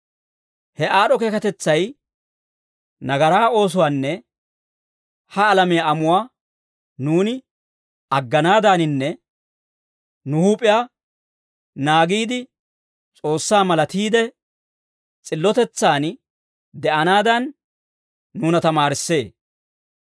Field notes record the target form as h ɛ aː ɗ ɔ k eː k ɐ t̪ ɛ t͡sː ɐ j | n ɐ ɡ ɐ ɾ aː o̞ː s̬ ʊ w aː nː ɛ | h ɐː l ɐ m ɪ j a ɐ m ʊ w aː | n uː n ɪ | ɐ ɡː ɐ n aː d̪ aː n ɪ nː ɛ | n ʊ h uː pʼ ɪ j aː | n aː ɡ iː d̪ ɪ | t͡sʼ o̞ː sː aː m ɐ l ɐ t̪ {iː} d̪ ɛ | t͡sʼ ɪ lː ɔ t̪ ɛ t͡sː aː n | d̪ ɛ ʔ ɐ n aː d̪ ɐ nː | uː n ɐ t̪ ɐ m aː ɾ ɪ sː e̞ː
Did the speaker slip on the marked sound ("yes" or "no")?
no